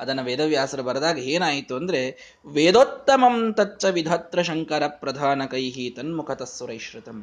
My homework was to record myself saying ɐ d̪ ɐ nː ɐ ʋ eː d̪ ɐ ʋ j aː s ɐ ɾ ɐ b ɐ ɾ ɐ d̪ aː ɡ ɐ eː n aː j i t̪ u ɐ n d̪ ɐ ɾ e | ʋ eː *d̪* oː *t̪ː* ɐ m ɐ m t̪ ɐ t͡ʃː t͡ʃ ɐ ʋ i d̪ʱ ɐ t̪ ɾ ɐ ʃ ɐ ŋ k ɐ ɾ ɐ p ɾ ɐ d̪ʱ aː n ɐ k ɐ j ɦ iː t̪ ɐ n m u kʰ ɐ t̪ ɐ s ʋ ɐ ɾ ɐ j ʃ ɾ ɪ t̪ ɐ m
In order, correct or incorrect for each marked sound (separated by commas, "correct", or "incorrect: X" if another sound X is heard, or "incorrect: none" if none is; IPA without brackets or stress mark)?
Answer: correct, correct